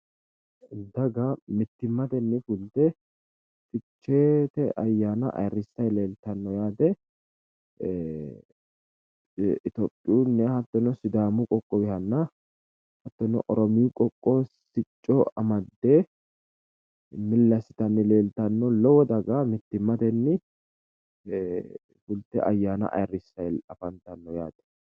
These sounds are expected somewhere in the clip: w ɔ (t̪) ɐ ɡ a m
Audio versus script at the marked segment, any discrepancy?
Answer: yes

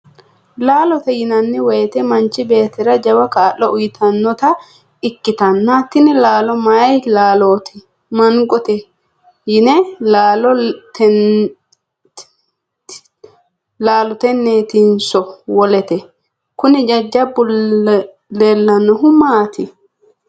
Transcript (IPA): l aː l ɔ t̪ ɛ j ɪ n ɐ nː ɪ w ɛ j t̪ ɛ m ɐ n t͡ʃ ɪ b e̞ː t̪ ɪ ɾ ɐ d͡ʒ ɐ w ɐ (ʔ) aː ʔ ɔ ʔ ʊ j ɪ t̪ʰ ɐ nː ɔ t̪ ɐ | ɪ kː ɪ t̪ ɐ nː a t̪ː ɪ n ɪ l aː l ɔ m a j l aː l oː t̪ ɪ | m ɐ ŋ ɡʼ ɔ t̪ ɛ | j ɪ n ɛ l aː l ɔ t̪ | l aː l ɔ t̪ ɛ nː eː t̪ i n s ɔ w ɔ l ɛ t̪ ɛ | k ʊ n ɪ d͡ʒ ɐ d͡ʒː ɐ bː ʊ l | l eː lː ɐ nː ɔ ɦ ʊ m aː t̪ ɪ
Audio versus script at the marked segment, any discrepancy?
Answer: yes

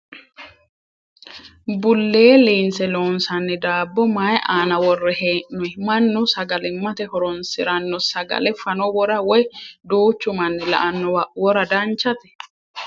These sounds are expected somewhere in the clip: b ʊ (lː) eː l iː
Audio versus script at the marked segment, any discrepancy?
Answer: no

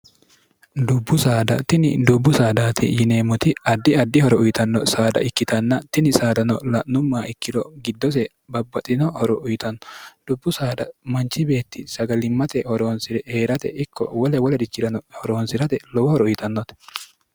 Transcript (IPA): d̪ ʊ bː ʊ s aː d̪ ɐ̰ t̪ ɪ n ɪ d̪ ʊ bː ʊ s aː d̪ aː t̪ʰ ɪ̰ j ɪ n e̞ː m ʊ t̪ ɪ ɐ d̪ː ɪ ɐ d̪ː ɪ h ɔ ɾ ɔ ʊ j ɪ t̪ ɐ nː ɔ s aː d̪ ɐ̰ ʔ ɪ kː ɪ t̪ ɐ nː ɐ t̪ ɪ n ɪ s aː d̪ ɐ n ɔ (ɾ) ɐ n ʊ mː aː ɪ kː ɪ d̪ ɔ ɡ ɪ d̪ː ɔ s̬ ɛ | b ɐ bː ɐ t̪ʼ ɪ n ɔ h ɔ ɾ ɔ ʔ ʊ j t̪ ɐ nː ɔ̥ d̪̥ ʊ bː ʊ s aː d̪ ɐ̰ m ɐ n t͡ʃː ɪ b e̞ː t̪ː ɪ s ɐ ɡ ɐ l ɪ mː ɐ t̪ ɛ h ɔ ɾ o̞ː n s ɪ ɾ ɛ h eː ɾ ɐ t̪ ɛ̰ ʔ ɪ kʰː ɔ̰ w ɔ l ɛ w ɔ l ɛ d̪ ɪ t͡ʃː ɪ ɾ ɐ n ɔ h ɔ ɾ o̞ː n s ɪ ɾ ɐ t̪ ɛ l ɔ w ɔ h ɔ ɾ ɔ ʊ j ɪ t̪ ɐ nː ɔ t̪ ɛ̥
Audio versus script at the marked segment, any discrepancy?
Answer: yes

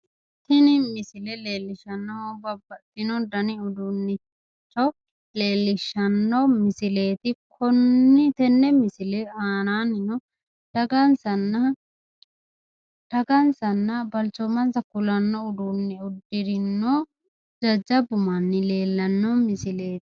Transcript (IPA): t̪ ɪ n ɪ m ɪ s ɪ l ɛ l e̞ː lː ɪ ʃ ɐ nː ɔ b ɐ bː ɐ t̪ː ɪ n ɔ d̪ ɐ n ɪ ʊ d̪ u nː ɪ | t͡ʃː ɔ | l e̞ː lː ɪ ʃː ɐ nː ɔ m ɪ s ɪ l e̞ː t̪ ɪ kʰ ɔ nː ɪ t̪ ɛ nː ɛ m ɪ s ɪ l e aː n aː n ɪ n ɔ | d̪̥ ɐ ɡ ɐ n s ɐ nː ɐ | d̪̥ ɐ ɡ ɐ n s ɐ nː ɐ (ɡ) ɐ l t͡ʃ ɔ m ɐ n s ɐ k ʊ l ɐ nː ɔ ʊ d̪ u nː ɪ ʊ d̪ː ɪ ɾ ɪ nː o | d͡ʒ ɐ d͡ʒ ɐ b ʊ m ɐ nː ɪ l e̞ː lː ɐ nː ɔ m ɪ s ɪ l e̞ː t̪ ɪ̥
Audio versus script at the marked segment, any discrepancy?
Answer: yes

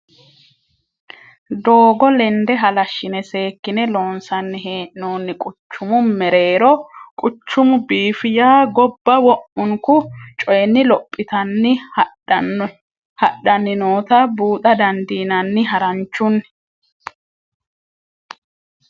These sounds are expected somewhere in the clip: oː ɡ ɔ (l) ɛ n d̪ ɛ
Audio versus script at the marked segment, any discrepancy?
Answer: no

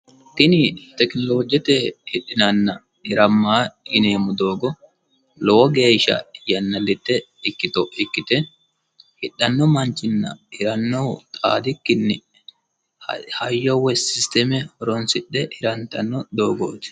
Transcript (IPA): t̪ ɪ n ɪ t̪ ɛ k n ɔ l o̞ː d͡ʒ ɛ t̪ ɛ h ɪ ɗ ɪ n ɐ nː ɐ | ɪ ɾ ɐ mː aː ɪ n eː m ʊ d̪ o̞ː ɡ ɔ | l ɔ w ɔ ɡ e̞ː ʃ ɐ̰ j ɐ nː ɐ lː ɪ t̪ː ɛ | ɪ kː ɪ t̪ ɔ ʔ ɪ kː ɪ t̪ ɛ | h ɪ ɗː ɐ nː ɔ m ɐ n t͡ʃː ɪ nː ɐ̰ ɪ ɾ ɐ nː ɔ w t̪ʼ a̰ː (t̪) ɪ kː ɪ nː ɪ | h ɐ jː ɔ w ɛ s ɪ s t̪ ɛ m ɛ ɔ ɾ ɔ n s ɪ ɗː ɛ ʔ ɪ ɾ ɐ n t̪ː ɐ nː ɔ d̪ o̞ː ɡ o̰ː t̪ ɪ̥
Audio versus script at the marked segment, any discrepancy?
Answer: yes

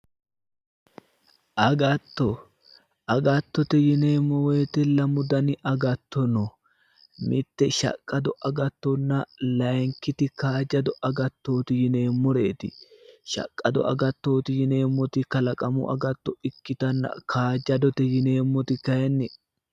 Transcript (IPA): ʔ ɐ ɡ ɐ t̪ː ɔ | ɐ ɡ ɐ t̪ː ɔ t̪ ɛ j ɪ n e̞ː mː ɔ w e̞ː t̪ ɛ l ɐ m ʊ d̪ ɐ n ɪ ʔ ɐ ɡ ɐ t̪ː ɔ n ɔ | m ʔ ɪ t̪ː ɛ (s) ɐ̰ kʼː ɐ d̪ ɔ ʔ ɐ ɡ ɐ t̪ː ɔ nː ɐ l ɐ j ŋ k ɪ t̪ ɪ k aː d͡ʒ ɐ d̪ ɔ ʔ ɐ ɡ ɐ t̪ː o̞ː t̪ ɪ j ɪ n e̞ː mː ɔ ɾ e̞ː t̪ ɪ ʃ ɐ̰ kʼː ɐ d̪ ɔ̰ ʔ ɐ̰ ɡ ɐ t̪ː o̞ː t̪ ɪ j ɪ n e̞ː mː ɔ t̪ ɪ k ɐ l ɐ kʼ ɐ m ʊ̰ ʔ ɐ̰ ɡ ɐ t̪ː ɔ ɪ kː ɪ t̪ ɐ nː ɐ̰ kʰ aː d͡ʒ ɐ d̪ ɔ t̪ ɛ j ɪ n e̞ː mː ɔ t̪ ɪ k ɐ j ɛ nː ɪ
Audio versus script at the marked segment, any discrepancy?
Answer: yes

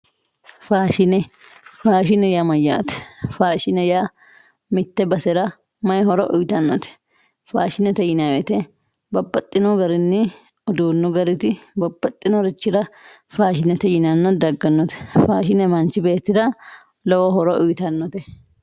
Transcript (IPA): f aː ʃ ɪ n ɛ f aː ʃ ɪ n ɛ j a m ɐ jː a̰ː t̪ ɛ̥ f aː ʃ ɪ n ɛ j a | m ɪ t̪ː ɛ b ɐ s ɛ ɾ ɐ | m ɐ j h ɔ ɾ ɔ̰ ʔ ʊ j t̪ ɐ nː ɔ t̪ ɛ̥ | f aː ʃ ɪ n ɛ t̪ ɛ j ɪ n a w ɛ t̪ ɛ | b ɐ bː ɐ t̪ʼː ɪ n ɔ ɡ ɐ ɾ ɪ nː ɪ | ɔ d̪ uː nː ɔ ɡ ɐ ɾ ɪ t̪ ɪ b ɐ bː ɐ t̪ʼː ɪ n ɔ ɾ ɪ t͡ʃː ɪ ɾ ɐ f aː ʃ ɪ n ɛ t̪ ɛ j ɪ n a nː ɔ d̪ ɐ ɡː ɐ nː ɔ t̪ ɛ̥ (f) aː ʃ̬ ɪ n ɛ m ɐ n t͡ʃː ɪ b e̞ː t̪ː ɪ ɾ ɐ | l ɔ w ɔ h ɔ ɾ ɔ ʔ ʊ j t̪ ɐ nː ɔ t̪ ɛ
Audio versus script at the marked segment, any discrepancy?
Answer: no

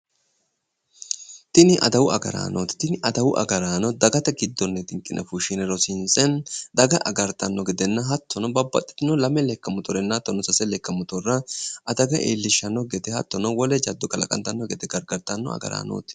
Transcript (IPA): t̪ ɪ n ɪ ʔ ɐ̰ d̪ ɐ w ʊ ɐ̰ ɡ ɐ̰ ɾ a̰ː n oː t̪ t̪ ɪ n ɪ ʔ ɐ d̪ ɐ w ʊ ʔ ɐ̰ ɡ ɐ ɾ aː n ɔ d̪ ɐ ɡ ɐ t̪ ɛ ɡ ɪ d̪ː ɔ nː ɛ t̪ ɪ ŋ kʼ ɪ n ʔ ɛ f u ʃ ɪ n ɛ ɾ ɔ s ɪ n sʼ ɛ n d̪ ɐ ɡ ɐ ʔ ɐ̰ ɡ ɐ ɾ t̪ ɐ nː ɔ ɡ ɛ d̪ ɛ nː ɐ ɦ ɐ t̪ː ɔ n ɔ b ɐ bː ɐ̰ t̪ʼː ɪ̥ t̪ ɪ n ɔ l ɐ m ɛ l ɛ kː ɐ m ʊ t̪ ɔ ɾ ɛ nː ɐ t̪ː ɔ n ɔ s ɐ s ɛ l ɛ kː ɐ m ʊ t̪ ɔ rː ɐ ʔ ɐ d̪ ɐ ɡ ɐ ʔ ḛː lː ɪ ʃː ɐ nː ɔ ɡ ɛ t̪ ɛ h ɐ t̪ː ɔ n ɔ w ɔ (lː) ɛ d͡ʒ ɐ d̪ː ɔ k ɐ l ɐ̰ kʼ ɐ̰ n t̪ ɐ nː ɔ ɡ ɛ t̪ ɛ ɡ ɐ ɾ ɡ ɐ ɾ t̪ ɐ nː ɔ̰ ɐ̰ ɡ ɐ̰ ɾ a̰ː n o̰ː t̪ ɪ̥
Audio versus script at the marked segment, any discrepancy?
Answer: yes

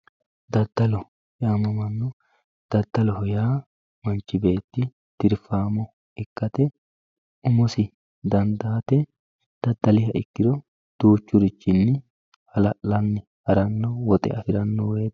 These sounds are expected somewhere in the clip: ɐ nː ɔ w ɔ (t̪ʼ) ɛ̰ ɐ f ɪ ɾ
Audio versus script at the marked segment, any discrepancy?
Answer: no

